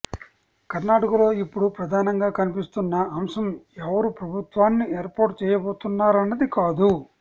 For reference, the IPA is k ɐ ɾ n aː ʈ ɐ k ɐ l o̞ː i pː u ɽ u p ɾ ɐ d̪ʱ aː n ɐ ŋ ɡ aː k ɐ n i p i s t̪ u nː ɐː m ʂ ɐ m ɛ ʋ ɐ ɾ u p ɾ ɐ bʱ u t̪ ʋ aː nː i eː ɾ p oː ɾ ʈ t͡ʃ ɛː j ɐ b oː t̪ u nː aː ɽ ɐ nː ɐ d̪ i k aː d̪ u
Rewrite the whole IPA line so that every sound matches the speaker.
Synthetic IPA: k ɐ ɾ n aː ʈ ɐ k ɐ l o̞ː i pː u ɽ u p ɾ ɐ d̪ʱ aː n ɐ ŋ ɡ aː k ɐ n i p i s t̪ u nː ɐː m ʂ ɐ m ɛ ʋ ɐ ɾ u p ɾ ɐ bʱ u t̪ ʋ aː nː i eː ɾ p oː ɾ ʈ t͡ʃ ɛː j ɐ b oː t̪ u nː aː ɾ ɐ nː ɐ d̪ i k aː d̪ u